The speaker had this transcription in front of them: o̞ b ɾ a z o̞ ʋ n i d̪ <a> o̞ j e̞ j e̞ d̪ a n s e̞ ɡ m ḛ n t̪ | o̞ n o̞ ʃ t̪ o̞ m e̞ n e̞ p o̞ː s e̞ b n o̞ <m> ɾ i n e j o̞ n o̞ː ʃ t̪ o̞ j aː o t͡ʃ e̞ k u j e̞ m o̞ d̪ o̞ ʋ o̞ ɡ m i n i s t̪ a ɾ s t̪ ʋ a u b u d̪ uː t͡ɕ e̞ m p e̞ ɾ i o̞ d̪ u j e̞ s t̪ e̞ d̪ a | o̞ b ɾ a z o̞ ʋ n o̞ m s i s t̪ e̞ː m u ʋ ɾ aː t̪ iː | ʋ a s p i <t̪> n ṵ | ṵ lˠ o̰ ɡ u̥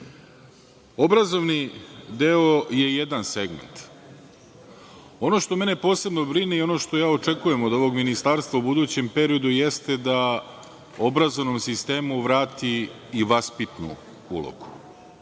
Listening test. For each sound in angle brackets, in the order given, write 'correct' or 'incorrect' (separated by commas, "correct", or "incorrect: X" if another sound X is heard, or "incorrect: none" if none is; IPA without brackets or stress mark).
incorrect: e, incorrect: b, correct